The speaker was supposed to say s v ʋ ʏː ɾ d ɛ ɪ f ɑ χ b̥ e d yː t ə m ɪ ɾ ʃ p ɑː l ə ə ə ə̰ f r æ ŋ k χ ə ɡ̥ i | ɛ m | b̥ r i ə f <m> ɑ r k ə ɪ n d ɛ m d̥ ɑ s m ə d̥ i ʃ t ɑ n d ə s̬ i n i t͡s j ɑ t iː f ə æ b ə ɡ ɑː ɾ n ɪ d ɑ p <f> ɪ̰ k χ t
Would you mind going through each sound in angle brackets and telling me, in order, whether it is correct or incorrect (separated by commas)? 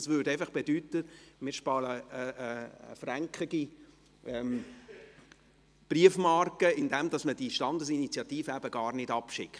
correct, incorrect